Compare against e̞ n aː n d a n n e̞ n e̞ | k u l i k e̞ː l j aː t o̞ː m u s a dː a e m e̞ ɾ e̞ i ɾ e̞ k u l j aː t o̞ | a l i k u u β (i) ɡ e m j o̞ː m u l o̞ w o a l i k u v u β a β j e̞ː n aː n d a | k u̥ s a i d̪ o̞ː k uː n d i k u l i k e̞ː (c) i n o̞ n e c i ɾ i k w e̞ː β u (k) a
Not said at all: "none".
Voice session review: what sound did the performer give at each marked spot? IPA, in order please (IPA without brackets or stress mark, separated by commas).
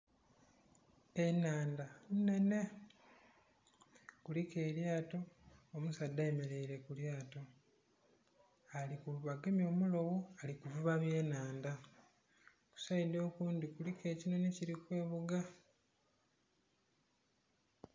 a, c, ɡ